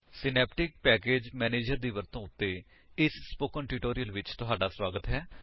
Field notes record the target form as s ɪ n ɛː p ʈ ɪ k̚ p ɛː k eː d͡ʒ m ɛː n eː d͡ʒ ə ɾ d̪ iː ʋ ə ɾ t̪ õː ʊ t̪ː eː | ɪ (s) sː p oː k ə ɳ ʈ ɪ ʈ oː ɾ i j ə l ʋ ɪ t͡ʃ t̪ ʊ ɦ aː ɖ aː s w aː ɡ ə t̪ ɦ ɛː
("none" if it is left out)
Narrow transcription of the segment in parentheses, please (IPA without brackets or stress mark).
s